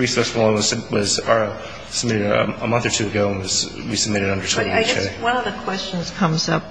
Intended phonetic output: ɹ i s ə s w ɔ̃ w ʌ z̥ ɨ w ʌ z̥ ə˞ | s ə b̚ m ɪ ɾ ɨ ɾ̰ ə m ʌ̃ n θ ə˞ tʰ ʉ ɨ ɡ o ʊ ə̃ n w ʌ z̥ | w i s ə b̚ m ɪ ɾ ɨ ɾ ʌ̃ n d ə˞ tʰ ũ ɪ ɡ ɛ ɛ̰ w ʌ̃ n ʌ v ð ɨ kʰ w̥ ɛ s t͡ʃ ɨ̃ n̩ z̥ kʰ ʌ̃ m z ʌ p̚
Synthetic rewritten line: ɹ i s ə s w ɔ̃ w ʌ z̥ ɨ w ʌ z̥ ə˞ | s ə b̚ m ɪ ɾ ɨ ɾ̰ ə m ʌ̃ n θ ə˞ tʰ ʉ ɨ ɡ o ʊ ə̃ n w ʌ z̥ | w i s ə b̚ m ɪ ɾ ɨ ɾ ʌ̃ n d ə˞ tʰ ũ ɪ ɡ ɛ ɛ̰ w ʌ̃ n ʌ v ð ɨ kʰ w̥ ɛ s t͡ʃ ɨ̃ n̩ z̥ kʰ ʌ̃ m z ʌ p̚